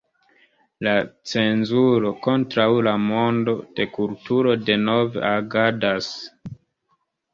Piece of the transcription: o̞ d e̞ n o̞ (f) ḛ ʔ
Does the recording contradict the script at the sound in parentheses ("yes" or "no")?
yes